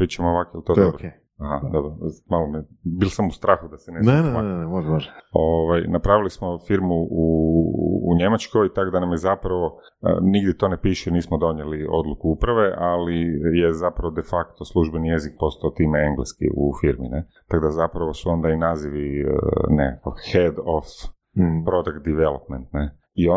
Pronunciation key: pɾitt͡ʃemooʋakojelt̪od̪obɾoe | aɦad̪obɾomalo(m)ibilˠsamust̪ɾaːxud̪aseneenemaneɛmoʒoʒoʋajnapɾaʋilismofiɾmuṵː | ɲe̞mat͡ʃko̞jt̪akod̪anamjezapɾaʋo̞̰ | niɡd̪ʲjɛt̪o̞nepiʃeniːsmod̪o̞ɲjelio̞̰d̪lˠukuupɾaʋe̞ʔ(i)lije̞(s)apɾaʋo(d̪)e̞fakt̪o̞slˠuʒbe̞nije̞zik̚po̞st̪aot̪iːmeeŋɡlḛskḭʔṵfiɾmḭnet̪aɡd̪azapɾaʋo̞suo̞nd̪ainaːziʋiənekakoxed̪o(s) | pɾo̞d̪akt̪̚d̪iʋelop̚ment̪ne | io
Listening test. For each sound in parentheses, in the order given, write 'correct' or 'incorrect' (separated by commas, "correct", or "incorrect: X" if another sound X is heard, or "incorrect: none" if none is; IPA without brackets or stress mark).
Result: correct, incorrect: a, incorrect: z, correct, incorrect: f